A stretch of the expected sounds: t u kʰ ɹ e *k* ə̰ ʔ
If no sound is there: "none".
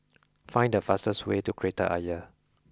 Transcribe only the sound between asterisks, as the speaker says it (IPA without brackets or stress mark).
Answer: t